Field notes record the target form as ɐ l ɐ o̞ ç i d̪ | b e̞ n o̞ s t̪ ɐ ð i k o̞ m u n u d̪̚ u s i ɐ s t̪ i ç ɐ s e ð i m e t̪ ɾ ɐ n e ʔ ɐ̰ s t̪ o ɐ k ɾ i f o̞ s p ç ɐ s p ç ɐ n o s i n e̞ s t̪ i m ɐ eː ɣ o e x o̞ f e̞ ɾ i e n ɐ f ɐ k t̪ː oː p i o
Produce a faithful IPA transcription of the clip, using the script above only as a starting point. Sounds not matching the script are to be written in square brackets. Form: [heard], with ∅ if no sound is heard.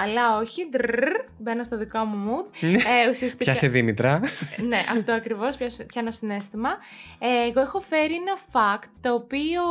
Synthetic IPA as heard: ɐ l ɐ o̞ ç i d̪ | b e̞ n o̞ s t̪ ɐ ð i k o̞ m u [m] u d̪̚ u s i ɐ s t̪ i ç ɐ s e ð i m [i] t̪ ɾ ɐ n e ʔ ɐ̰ [f] t̪ o ɐ k ɾ i [v] o̞ s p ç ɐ s p ç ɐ n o s i n e̞ s t̪ i m ɐ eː ɣ o e x o̞ f e̞ ɾ i e n ɐ f ɐ k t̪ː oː p i o